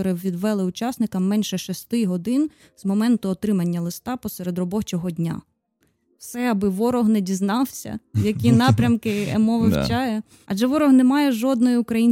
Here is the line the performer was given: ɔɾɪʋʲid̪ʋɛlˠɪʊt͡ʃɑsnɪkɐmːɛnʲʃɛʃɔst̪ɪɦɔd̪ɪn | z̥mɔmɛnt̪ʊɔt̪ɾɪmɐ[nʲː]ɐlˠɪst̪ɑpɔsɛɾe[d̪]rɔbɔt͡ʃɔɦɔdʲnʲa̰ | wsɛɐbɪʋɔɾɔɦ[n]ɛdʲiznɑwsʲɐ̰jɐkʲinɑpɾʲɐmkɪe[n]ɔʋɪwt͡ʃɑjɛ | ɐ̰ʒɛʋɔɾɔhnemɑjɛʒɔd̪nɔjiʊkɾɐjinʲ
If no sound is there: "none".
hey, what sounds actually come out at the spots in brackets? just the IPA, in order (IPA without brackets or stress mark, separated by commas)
nʲː, d̪, n, m